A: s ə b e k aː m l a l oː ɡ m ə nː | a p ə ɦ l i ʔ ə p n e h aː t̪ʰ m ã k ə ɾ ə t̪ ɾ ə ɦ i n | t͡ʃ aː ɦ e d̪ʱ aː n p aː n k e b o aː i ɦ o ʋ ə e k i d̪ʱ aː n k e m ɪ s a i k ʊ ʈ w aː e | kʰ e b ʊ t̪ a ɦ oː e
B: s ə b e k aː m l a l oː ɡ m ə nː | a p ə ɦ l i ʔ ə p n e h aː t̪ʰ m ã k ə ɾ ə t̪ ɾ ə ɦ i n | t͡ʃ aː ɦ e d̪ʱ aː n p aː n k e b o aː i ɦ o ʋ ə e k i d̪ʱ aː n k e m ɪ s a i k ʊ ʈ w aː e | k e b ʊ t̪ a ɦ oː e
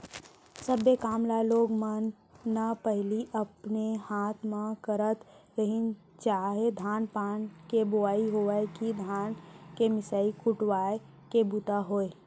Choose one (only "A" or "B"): B